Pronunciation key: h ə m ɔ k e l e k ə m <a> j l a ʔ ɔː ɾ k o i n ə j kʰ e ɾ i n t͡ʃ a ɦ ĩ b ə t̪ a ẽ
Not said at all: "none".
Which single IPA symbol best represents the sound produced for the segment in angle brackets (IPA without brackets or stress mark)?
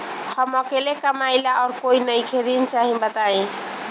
a